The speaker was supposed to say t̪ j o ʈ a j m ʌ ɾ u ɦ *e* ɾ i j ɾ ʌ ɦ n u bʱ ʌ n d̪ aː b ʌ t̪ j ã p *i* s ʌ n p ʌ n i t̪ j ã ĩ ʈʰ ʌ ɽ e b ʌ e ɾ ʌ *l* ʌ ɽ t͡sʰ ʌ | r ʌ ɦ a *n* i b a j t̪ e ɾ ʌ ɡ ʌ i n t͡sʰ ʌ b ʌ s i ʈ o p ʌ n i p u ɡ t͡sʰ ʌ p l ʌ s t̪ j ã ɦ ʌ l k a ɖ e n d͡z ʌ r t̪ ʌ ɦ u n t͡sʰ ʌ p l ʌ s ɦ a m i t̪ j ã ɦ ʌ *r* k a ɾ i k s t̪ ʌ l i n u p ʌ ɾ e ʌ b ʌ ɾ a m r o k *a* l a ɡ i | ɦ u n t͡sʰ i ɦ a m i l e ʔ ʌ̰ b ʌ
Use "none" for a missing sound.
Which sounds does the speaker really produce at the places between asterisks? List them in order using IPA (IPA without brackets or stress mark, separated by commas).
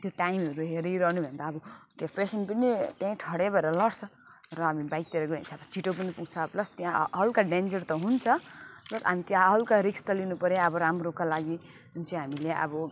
e, e, l, m, l, a